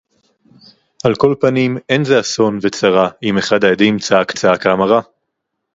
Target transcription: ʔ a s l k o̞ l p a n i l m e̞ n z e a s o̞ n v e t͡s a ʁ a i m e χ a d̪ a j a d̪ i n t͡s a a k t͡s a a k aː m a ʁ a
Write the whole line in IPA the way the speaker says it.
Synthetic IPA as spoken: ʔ a l k o̞ l p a n i m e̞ n z e a s o̞ n v e t͡s a ʁ a i m e χ a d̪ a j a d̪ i m t͡s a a k t͡s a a k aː m a ʁ a